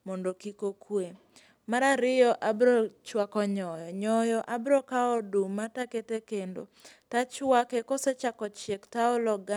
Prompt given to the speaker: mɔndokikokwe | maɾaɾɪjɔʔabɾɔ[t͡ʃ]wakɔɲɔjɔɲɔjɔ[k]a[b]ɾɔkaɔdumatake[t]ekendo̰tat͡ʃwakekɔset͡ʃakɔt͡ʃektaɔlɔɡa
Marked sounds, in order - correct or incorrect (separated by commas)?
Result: correct, incorrect, correct, correct